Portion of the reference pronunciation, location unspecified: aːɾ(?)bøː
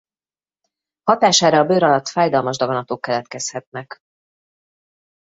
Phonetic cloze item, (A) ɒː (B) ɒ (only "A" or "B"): A